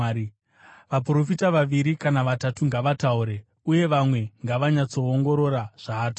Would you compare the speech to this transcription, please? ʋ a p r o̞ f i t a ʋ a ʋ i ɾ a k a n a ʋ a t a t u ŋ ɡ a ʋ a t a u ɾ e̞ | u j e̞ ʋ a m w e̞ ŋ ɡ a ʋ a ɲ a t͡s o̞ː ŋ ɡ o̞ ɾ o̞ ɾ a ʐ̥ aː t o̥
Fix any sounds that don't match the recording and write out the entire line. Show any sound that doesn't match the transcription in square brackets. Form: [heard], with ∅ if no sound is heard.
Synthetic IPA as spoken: ʋ a p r o̞ f i t a ʋ a ʋ i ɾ [i] k a n a ʋ a t a t u ŋ ɡ a ʋ a t a u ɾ e̞ | u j e̞ ʋ a m w e̞ ŋ ɡ a ʋ a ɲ a t͡s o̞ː ŋ ɡ o̞ ɾ o̞ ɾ a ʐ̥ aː t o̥